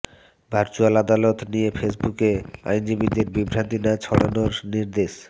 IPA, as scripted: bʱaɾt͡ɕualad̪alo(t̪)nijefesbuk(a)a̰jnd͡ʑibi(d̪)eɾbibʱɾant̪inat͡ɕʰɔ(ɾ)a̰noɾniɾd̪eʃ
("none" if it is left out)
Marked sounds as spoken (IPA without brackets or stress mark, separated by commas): t̪, e, d̪, ɽ